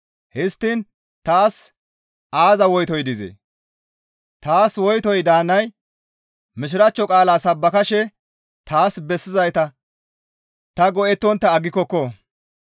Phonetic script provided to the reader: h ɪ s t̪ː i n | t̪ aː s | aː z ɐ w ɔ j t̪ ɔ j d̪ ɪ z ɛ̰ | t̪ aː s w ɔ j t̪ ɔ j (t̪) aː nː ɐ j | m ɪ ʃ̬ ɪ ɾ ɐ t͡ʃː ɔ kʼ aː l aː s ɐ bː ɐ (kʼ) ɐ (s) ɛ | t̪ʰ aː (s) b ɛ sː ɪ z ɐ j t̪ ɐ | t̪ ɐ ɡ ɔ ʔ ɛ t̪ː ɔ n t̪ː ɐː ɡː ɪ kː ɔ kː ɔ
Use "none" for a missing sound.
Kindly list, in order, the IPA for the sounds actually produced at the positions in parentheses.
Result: d̪, k, ʃ, s

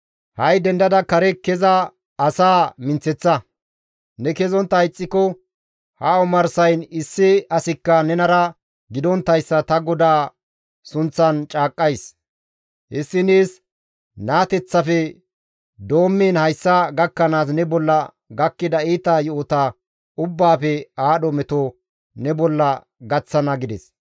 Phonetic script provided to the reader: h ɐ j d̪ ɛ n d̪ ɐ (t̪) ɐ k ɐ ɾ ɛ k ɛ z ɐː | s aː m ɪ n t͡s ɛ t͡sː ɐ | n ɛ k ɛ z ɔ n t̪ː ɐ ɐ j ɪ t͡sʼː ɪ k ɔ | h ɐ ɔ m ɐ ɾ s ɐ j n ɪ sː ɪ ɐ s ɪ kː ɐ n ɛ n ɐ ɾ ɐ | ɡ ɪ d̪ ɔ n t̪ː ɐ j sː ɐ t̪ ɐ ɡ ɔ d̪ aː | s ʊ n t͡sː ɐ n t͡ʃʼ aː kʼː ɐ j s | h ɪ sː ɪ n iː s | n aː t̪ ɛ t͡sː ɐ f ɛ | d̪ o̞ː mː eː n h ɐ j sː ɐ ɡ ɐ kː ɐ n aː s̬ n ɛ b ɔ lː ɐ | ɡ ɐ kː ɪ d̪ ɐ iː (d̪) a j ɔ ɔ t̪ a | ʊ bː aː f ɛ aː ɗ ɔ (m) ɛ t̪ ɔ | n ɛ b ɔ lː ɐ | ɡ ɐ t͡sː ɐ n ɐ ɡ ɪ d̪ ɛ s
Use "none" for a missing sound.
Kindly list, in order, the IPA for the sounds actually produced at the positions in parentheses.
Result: d̪, t̪, m

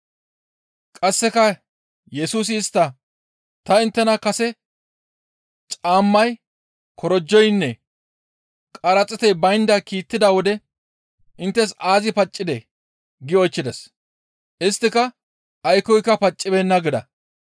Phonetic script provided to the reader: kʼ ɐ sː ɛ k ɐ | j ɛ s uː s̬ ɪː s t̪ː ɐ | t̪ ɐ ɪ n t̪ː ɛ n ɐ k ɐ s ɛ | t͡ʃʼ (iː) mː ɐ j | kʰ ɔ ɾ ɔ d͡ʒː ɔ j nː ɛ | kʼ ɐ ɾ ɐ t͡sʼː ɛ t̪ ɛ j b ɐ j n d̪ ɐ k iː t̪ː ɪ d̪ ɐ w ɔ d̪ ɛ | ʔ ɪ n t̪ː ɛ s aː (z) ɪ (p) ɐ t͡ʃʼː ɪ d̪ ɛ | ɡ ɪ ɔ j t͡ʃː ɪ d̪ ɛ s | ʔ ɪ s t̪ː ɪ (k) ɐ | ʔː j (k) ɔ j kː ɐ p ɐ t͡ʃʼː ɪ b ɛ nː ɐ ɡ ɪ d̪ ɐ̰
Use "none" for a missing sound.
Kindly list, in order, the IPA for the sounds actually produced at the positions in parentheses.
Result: aː, z, p, k, k

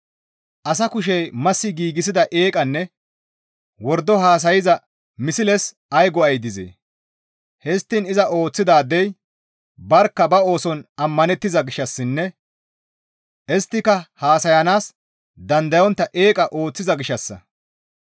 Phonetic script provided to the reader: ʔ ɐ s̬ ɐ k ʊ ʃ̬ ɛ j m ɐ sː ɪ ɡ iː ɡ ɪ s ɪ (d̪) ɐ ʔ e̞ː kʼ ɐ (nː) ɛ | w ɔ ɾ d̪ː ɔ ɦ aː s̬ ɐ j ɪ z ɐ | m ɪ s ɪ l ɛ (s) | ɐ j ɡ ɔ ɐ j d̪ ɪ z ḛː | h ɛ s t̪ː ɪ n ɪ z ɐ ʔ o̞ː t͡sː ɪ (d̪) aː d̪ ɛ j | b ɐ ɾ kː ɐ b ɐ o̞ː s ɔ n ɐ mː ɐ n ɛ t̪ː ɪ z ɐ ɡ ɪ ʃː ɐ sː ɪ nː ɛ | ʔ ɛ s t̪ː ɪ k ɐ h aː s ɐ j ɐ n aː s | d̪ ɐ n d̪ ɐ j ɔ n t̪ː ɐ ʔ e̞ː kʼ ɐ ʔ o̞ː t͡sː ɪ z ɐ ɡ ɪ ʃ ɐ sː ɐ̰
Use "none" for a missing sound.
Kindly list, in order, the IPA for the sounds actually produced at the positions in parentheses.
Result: d̪, nː, s, d̪

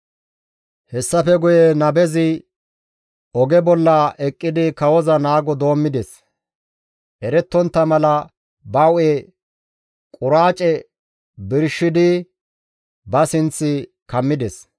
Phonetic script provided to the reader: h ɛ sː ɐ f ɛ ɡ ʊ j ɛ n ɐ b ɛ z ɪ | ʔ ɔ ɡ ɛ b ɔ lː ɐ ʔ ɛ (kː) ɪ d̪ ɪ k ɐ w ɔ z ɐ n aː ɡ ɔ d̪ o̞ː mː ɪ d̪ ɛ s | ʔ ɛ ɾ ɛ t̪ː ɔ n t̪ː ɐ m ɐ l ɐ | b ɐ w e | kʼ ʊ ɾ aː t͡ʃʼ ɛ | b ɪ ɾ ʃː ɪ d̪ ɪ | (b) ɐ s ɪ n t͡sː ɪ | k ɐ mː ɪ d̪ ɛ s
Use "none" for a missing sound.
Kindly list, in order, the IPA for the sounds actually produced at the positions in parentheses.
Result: kʼː, b

